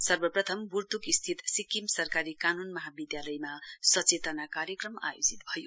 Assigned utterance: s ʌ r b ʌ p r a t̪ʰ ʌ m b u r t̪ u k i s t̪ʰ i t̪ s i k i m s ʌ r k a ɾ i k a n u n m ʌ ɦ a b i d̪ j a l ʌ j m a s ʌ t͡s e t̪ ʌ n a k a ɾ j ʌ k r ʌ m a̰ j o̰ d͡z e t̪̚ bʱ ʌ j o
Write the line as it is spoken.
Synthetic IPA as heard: s ʌ r b ʌ p r ʌ t̪ʰ ʌ m b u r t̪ u k i s t̪ʰ i t̪ s i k i m s ʌ r k a ɾ i k a n u n m ʌ ɦ a b i d̪ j a l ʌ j m a s ʌ t͡s e t̪ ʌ n a k a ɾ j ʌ k r ʌ m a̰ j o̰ d͡z i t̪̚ bʱ ʌ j o